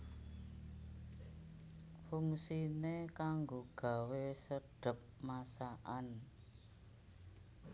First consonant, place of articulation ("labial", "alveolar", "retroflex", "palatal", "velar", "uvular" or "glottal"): labial